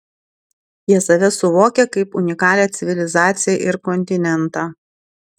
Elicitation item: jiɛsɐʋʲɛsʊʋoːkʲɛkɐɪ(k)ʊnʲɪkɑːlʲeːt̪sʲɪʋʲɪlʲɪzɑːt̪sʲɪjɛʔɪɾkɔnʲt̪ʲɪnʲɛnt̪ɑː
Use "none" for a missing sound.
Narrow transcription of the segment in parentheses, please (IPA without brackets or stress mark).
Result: p